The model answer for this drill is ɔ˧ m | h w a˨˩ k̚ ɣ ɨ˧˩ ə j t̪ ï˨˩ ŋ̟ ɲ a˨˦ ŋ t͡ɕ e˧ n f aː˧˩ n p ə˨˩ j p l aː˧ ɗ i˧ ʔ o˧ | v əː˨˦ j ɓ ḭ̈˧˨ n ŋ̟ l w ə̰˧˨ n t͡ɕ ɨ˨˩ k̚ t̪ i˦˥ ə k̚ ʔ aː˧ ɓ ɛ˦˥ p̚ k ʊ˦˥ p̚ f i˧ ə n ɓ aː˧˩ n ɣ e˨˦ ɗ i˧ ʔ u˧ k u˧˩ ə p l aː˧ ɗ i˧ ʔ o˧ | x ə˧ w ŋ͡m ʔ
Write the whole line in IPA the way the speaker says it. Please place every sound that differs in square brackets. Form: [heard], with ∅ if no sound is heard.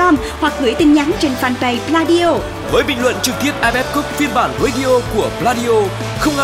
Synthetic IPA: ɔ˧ m | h w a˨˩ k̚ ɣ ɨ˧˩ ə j t̪ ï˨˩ ŋ̟ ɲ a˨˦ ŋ t͡ɕ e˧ n f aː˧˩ n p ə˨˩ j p l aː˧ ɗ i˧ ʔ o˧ | v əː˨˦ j ɓ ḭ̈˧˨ [∅] ŋ̟ l w ə̰˧˨ n t͡ɕ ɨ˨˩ k̚ t̪ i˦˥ ə [p̚] ʔ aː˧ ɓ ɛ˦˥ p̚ k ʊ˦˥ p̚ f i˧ ə n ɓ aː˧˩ n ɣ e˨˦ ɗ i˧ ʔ [o˧] k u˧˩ ə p l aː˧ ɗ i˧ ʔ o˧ | x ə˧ w ŋ͡m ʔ